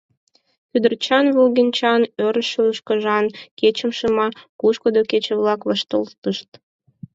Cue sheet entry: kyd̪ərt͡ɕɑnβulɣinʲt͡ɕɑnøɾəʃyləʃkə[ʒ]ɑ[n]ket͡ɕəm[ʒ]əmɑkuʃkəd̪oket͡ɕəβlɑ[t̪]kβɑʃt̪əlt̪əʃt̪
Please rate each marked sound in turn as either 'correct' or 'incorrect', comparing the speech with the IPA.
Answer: correct, correct, incorrect: ʃ, incorrect: none

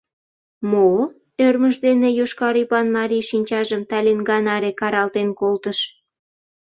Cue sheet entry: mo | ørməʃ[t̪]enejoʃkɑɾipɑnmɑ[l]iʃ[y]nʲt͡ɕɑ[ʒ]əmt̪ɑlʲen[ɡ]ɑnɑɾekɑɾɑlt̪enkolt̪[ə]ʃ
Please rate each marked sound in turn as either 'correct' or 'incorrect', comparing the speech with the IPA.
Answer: incorrect: d̪, incorrect: ɾ, incorrect: i, correct, correct, correct

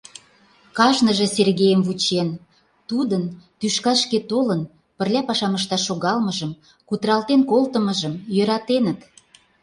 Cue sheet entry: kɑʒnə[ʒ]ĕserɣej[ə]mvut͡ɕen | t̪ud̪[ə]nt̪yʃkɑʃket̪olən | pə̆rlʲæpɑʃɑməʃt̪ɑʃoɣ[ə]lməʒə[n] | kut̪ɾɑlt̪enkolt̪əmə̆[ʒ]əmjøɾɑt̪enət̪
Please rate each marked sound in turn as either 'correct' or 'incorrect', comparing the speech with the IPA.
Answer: correct, correct, correct, incorrect: ɑ, incorrect: m, correct

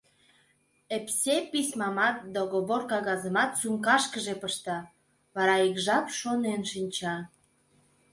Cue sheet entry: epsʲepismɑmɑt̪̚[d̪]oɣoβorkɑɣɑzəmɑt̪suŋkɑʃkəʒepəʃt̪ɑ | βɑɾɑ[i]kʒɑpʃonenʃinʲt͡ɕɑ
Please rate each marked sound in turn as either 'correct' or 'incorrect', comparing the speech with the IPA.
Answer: correct, correct

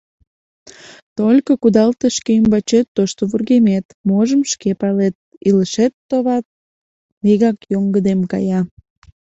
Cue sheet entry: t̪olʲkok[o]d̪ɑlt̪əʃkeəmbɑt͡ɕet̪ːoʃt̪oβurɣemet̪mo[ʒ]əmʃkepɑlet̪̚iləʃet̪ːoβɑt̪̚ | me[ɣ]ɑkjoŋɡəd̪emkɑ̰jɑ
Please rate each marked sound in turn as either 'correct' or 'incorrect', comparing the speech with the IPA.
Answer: incorrect: u, correct, correct

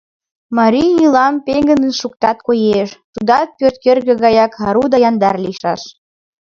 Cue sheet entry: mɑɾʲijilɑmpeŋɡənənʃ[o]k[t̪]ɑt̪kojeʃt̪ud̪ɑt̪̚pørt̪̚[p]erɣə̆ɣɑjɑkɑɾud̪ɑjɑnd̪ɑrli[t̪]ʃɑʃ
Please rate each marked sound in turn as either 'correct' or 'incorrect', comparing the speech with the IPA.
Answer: incorrect: u, correct, incorrect: k, incorrect: none

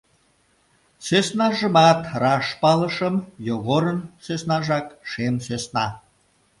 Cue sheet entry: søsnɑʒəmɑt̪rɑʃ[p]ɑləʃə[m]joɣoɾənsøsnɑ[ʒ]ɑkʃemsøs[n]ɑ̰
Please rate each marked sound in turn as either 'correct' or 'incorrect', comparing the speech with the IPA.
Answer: correct, correct, correct, correct

